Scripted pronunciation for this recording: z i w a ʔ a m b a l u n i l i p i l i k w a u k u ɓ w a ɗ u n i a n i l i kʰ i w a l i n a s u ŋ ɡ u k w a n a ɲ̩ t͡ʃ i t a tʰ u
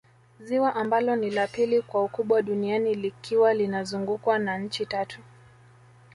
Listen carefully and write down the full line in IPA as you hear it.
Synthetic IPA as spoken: z i w a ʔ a m b a l ɔ n i l a p i l i k w a u k u ɓ w a ɗ u n i a n i l i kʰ i w a l i n a z u ŋ ɡ u k w a n a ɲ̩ t͡ʃ i t a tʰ u